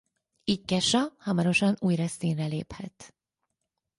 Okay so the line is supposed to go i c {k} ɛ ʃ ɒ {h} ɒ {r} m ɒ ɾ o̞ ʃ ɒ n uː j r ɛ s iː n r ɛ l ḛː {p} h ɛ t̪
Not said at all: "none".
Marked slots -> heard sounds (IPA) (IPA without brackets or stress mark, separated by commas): k, h, none, p